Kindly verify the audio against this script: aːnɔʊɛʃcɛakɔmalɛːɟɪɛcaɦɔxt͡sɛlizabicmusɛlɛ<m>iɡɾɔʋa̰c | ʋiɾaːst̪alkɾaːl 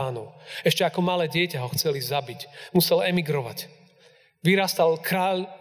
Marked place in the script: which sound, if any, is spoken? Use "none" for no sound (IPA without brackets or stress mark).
m